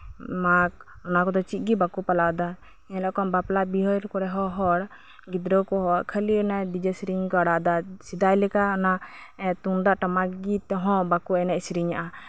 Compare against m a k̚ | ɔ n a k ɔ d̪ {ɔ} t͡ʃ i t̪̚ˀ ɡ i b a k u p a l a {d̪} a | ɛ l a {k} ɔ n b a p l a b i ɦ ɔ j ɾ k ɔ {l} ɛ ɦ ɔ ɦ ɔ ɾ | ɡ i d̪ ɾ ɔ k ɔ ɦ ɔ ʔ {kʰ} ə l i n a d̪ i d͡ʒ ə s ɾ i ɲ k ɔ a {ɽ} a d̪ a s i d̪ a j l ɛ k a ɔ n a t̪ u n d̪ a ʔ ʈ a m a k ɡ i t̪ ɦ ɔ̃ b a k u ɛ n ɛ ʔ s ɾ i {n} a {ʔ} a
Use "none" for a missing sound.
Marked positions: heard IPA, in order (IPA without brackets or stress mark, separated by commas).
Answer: ɔ, d̪, k, ɾ, kʰ, ɽ, ɲ, ʔ